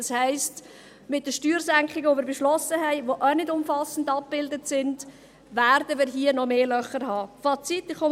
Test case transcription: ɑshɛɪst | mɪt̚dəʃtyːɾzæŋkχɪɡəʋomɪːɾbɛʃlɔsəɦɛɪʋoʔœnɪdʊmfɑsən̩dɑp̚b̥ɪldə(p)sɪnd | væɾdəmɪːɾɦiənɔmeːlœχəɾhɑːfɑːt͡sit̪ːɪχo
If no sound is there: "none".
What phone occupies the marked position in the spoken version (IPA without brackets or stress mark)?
t